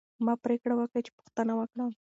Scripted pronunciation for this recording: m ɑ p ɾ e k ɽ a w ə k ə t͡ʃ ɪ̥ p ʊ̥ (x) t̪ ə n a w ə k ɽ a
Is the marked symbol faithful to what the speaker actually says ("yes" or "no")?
yes